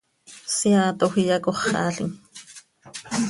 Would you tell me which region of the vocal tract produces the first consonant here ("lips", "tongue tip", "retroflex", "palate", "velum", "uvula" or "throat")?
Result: tongue tip